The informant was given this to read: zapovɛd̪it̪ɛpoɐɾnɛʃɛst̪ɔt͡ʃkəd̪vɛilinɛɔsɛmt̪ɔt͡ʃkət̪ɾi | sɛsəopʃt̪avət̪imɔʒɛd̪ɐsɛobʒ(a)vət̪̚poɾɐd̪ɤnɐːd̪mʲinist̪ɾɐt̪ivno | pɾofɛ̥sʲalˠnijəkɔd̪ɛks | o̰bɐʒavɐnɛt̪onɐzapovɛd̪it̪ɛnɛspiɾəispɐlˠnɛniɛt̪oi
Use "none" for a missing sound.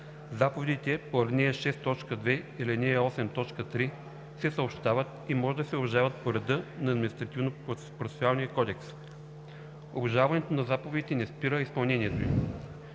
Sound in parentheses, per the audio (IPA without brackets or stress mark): a